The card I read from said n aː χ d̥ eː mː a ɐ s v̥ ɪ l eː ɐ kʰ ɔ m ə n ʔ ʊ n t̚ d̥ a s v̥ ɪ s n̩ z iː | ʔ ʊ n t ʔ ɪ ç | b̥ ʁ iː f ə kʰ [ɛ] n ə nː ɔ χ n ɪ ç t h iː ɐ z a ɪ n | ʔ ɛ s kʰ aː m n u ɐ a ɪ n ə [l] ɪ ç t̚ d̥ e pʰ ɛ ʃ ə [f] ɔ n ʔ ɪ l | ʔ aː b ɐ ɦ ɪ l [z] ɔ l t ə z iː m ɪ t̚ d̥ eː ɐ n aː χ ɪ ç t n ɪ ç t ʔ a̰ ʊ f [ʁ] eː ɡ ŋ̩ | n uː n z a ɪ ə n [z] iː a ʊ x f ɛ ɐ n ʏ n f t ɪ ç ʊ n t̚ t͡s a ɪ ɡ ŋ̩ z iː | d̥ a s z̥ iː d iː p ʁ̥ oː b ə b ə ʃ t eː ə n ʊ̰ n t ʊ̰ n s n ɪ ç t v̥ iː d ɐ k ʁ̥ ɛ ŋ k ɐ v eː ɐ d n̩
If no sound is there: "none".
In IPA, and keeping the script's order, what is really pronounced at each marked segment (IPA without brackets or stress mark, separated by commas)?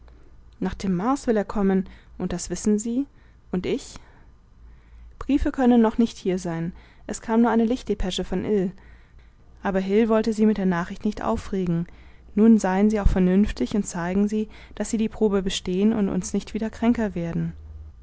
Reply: œ, l, f, v, ʁ, z